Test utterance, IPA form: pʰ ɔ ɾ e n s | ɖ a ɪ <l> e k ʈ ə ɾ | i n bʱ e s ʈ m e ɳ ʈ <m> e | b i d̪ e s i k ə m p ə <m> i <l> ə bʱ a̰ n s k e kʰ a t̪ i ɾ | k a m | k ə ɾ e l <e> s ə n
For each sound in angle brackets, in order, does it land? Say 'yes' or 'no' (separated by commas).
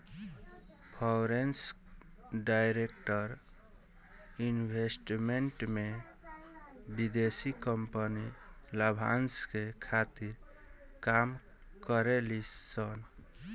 no, yes, no, yes, no